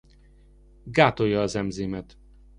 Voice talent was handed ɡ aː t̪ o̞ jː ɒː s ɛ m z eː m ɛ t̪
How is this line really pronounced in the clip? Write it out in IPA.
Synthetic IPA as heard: ɡ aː t̪ o̞ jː ɒː z ɛ m z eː m ɛ t̪